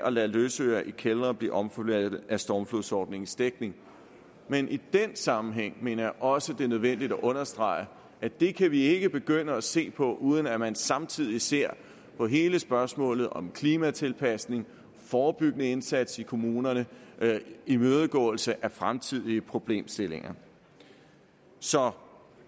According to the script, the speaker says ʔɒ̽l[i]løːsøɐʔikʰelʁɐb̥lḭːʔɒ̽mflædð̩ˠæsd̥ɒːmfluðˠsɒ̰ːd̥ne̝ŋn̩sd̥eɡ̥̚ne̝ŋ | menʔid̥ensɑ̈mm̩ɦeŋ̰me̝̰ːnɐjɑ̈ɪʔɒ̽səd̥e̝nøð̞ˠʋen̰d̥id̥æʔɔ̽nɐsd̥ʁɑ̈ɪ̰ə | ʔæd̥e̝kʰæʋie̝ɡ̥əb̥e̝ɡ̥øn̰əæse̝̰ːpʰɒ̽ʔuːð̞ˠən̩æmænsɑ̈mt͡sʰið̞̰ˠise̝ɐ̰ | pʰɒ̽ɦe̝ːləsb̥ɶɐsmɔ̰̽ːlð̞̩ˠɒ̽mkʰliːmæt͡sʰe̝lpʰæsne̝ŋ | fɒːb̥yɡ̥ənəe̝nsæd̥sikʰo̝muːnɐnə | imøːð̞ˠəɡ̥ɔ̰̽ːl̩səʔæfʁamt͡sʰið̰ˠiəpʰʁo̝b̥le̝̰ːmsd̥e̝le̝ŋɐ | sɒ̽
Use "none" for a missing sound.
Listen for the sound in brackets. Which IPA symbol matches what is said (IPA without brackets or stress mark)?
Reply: æ